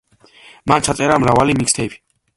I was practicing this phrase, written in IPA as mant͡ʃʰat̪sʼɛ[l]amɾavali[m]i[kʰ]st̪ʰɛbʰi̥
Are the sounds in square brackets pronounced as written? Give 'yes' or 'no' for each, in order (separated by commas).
no, yes, no